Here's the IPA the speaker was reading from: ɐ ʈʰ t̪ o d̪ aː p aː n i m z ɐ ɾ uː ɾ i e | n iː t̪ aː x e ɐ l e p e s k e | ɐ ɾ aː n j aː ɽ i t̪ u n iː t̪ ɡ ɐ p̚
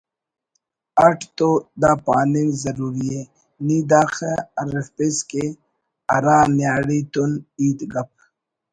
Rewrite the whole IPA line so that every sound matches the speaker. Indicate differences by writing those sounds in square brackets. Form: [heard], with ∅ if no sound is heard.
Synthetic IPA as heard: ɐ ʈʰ t̪ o d̪ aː p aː n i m z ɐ ɾ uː ɾ i e | n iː [d̪] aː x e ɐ [ɾ] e p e s k e | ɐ ɾ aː n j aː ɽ i t̪ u n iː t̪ ɡ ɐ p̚